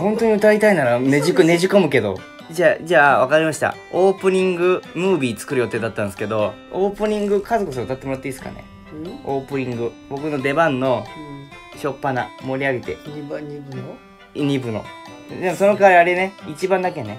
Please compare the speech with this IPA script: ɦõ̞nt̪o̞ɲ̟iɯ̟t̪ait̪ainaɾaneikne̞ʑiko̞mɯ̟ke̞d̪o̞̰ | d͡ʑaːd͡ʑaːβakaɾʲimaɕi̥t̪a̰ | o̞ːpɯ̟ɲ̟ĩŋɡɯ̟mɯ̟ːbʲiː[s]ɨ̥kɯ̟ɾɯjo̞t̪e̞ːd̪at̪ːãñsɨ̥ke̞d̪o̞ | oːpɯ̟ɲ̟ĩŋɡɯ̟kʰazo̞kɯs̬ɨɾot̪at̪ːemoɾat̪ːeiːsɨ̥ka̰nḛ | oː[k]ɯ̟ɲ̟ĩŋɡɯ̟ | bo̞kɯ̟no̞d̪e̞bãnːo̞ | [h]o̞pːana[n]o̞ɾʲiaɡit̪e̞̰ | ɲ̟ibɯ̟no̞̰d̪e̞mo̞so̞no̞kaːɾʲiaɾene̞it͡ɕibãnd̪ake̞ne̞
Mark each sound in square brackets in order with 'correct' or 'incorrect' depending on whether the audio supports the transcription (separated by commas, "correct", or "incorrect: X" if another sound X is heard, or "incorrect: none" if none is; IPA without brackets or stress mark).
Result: incorrect: t͡s, incorrect: p, incorrect: ɕ, incorrect: m